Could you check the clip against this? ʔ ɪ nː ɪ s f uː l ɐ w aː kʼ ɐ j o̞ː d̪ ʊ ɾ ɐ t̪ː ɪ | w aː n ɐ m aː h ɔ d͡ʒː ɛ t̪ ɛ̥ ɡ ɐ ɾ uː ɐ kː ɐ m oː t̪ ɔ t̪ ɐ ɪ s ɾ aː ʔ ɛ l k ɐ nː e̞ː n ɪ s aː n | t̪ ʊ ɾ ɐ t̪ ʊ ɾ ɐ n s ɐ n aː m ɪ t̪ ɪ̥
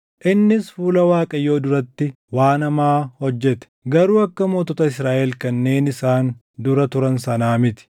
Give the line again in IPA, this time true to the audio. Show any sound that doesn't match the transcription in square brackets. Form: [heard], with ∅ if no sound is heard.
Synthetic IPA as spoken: ʔ ɪ nː ɪ s f uː l ɐ w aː kʼ ɐ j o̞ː d̪ ʊ ɾ ɐ t̪ː ɪ | w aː n ɐ m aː h ɔ d͡ʒː ɛ t̪ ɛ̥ ɡ ɐ ɾ uː ɐ kː ɐ m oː t̪ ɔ t̪ ɐ ɪ s ɾ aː ʔ ɛ l k ɐ nː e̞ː n ɪ s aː n | [d̪] ʊ ɾ ɐ t̪ ʊ ɾ ɐ n s ɐ n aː m ɪ t̪ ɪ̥